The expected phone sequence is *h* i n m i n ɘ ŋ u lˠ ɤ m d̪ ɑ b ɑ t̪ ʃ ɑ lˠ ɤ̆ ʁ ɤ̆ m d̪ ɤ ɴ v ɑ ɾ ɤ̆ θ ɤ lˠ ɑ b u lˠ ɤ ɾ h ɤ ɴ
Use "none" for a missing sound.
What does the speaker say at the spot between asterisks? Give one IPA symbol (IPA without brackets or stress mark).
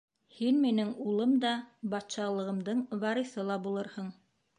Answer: h